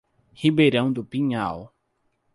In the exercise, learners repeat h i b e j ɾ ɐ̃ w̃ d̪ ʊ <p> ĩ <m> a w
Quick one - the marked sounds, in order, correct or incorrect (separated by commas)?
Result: correct, incorrect